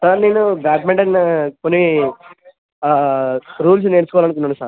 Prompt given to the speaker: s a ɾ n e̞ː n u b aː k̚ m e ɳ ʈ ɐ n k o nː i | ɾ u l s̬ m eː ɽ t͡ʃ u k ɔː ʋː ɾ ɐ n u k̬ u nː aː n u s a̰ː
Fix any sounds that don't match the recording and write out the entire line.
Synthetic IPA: s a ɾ n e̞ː n u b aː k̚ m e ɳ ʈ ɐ n k o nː i | ɾ uː l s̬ n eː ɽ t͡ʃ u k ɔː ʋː l ɐ n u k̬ u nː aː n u s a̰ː